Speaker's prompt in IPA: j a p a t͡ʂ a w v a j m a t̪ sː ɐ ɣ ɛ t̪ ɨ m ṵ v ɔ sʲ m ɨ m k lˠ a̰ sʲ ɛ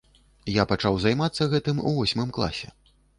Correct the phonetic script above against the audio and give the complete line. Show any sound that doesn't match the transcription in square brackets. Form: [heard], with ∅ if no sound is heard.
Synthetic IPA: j a p a t͡ʂ a w [z] a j m a t̪ sː ɐ ɣ ɛ t̪ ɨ m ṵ v ɔ sʲ m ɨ m k lˠ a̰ sʲ ɛ

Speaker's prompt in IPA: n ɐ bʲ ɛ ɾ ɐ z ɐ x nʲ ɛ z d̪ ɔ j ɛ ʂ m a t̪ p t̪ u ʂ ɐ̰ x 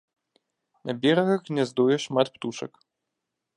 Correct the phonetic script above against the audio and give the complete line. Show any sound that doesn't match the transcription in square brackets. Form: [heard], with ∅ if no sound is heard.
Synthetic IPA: n ɐ bʲ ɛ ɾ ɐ [ɣ] ɐ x nʲ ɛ z d̪ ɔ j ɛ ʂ m a t̪ p t̪ u ʂ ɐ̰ [k]

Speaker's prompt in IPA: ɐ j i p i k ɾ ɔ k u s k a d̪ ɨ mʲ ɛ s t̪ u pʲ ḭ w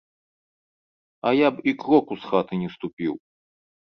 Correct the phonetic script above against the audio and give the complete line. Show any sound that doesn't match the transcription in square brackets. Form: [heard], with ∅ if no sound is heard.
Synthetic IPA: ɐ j [a] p i k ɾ ɔ k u s [x] a [t̪] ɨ [nʲ] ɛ s t̪ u pʲ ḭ w

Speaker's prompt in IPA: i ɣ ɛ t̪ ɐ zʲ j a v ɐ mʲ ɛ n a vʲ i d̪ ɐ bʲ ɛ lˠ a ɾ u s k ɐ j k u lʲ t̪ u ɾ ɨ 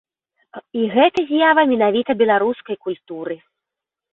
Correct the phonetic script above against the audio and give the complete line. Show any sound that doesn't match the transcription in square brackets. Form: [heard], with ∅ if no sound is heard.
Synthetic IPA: i ɣ ɛ t̪ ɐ zʲ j a v ɐ mʲ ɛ n a vʲ i [t̪] ɐ bʲ ɛ lˠ a ɾ u s k ɐ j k u lʲ t̪ u ɾ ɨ

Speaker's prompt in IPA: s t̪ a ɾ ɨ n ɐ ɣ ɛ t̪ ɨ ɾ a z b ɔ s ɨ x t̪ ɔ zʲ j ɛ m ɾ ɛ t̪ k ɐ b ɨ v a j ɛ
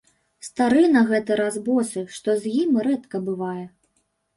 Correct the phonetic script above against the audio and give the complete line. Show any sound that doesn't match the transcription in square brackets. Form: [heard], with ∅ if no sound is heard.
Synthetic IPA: s t̪ a ɾ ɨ n ɐ ɣ ɛ t̪ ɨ ɾ a z b ɔ s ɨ [ʂ] t̪ ɔ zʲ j [i] m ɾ ɛ t̪ k ɐ b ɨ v a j ɛ

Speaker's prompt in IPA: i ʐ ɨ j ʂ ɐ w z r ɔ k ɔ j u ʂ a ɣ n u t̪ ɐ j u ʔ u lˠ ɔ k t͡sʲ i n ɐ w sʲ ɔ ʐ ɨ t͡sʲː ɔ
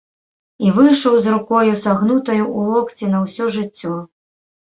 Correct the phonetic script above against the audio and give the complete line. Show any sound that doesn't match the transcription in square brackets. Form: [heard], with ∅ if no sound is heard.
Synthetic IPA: i [v] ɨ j ʂ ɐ w z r [u] k ɔ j u [s] a ɣ n u t̪ ɐ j u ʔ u lˠ ɔ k t͡sʲ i n ɐ w sʲ ɔ ʐ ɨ t͡sʲː ɔ

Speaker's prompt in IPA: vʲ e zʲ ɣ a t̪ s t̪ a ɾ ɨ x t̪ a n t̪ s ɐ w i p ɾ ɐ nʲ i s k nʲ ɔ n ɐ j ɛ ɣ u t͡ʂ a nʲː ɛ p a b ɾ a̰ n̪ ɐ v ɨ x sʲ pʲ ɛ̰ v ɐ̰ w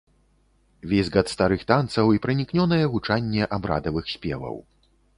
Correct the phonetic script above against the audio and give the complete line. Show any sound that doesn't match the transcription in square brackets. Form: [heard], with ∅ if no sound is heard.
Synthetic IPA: vʲ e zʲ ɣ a t̪ s t̪ a ɾ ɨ x t̪ a n t̪ s ɐ w i p ɾ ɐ nʲ i [∅] k nʲ ɔ n ɐ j ɛ ɣ u t͡ʂ a nʲː ɛ [ʔ] a b ɾ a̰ [d̪] ɐ v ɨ x sʲ pʲ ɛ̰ v ɐ̰ w

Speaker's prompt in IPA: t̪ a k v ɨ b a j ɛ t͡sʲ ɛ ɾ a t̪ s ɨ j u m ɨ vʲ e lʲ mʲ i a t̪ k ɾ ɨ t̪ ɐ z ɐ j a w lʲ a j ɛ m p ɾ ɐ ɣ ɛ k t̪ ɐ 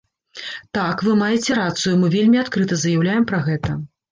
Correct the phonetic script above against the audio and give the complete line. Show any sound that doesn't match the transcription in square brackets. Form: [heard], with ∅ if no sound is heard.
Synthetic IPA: t̪ a k v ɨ [m] a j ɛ t͡sʲ ɛ ɾ a t̪ s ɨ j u m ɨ vʲ e lʲ mʲ i a t̪ k ɾ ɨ t̪ ɐ z ɐ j a w lʲ a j ɛ m p ɾ ɐ ɣ ɛ [∅] t̪ ɐ

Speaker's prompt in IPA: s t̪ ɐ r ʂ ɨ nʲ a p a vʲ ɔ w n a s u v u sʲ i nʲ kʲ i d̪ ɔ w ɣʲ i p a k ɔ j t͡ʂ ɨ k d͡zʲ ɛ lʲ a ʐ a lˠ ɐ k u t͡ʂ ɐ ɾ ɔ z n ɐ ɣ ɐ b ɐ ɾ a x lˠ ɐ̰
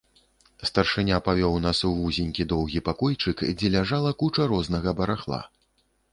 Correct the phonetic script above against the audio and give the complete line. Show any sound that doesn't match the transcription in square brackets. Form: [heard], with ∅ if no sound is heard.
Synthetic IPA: s t̪ ɐ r ʂ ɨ nʲ a p a vʲ ɔ w n a s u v u [zʲ] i nʲ kʲ i d̪ ɔ w ɣʲ i p a k ɔ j t͡ʂ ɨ k d͡zʲ ɛ lʲ a ʐ a lˠ ɐ k u t͡ʂ ɐ ɾ ɔ z n ɐ ɣ ɐ b ɐ ɾ a x lˠ [a̰]

